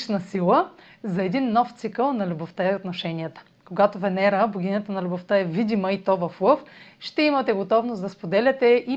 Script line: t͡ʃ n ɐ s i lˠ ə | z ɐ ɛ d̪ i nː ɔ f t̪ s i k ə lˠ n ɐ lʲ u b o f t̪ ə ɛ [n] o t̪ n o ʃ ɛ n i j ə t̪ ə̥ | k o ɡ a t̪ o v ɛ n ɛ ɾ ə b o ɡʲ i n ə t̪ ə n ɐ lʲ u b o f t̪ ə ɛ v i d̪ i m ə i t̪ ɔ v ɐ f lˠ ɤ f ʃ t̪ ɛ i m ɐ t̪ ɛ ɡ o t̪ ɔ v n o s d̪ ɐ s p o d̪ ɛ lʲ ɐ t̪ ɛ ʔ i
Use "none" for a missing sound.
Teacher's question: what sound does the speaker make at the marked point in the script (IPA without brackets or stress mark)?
none